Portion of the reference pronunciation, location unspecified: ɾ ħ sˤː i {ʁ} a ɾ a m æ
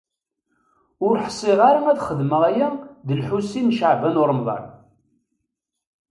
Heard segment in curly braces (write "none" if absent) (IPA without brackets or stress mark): ʁ